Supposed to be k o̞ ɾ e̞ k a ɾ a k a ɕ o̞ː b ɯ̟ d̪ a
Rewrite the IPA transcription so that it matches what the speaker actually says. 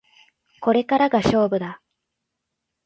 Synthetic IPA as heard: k o̞ ɾ e̞ k a ɾ a ɡ a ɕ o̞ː b ɯ̟ d̪ a